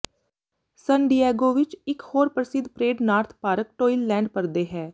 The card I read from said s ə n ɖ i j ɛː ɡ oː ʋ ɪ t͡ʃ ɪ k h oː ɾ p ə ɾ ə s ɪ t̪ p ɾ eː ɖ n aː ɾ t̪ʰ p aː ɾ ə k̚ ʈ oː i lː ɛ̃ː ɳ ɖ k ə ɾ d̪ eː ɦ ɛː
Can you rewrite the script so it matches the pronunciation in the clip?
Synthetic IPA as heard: s ə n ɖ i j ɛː ɡ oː ʋ ɪ t͡ʃ ɪ k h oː ɾ p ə ɾ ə s ɪ d̪ p ɾ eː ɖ n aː ɾ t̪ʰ p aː ɾ ə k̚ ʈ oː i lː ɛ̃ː ɳ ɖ p ə ɾ d̪ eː ɦ ɛː